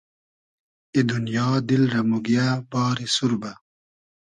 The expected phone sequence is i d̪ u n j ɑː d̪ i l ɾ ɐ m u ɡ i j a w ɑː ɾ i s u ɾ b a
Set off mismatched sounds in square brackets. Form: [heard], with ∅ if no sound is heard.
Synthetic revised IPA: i d̪ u n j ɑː d̪ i l ɾ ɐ m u ɡ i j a [b] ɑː ɾ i s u ɾ b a